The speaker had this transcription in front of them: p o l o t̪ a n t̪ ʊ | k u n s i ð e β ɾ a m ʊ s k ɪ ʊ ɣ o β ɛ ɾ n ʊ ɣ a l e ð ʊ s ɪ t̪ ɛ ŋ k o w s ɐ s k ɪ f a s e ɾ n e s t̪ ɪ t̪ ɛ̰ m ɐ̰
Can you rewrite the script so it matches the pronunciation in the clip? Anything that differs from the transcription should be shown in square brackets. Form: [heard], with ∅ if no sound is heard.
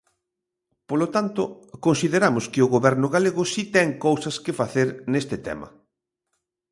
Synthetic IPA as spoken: p o l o t̪ a n t̪ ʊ | k [o] n s i ð e [∅] ɾ a m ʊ s k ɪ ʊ ɣ o β ɛ ɾ n ʊ ɣ a l e [ɣ] ʊ s [i] t̪ ɛ ŋ k o w s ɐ s k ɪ f a [θ] e ɾ n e s t̪ ɪ t̪ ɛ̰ m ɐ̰